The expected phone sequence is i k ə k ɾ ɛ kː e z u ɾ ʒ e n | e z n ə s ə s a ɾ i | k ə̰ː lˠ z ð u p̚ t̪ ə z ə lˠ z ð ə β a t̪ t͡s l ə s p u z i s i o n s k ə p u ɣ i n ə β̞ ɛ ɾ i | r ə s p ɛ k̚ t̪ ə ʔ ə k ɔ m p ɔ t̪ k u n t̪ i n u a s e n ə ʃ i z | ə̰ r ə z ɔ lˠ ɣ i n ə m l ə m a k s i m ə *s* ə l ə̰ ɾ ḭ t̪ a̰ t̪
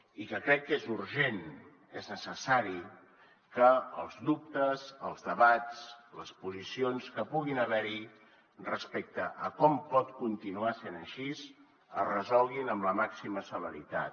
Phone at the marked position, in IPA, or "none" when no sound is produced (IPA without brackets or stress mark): s